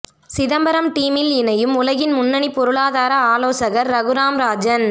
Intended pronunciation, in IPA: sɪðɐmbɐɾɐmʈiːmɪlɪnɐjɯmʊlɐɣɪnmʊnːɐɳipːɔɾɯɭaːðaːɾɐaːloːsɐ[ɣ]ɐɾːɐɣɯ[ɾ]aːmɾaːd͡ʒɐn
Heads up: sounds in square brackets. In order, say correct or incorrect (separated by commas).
correct, correct